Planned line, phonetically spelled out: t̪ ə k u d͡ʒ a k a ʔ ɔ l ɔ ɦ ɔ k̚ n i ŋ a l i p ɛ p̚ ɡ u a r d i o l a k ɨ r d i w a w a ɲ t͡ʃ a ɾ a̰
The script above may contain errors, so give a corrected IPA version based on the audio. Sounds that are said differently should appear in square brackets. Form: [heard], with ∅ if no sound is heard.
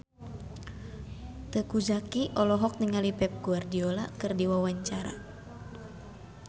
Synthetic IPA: t̪ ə k u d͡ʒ a k [i] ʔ ɔ l ɔ ɦ ɔ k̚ n i ŋ a l i p ɛ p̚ ɡ u a r d i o l a k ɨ r d i w a w a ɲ t͡ʃ a ɾ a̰